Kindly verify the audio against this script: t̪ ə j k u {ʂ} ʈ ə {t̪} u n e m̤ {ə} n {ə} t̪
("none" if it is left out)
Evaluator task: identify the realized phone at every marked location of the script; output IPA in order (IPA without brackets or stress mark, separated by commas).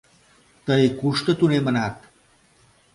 ʂ, t̪, ə, a